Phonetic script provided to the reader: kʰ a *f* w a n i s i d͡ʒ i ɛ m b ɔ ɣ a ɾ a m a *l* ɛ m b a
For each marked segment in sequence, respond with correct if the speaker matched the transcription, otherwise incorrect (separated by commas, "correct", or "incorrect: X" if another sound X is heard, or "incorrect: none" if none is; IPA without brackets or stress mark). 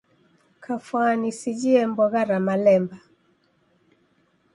correct, correct